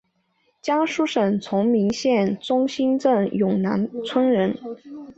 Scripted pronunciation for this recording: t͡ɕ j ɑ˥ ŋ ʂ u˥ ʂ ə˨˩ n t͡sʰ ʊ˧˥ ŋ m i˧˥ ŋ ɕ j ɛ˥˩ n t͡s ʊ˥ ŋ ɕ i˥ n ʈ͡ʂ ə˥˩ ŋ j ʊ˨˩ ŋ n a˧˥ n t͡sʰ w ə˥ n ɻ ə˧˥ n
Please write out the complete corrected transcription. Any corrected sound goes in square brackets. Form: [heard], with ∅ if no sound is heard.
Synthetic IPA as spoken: t͡ɕ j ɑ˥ ŋ ʂ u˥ ʂ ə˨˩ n t͡sʰ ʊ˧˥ ŋ m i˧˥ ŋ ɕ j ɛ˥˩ n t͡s ʊ˥ ŋ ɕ i˥ n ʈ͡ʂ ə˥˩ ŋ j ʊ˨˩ ŋ n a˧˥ n t͡sʰ w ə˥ n ɻ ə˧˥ n